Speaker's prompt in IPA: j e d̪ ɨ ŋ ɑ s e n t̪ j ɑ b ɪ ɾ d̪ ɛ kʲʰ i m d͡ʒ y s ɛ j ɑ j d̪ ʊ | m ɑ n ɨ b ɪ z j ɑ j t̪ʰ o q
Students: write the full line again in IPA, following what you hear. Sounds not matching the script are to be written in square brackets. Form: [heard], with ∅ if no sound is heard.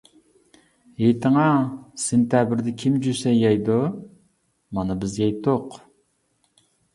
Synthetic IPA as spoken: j e [t̪] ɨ ŋ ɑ s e n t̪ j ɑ b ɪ ɾ d̪ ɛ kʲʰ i m d͡ʒ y s ɛ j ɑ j d̪ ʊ | m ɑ n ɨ b ɪ z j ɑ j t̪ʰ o q